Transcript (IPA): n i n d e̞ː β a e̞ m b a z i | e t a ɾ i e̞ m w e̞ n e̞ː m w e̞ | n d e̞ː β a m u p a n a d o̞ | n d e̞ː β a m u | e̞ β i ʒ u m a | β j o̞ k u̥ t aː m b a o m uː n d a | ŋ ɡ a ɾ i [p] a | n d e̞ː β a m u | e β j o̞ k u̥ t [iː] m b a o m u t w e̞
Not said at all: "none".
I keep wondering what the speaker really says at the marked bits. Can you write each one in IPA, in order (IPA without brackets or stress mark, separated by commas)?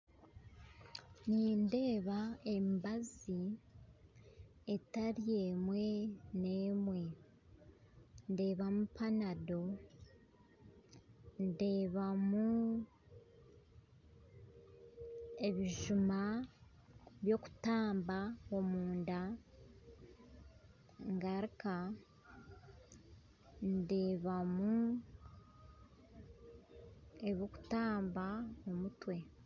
k, aː